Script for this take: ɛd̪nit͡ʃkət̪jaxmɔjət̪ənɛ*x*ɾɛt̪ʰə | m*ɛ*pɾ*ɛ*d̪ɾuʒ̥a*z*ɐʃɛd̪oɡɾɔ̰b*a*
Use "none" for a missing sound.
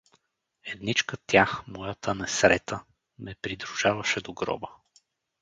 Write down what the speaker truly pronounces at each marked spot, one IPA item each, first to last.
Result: s, ɛ, i, v, ə

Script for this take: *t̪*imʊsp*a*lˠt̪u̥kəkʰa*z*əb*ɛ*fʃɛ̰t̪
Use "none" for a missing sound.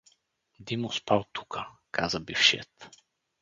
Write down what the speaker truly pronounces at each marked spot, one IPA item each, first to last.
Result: d̪, a, z, i

